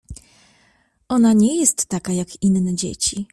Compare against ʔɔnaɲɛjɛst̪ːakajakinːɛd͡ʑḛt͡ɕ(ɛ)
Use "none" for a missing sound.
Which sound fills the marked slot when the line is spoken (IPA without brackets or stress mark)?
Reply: i